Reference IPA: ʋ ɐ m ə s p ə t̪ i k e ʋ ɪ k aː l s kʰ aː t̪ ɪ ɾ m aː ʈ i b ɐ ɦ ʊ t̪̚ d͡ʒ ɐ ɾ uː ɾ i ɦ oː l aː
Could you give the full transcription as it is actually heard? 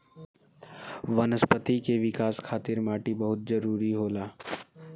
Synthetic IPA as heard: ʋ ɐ n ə s p ə t̪ i k e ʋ ɪ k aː s kʰ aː t̪ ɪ ɾ m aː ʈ i b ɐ ɦ ʊ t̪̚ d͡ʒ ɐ ɾ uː ɾ i ɦ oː l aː